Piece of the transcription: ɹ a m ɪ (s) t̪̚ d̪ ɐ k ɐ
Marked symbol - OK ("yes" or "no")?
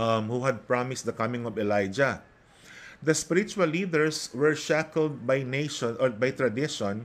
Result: yes